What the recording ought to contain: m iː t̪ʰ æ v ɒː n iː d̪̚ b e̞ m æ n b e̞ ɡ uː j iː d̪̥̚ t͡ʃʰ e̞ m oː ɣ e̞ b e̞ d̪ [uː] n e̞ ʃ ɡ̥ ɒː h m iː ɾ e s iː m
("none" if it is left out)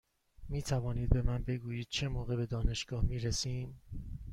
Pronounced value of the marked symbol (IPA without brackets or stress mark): ɒː